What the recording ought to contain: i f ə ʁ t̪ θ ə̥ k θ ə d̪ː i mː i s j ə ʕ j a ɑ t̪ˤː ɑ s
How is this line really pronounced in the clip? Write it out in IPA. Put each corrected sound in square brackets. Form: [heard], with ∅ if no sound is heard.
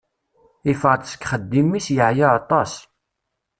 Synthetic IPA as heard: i f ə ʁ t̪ [s] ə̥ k [χ] ə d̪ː i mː i s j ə ʕ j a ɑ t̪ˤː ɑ s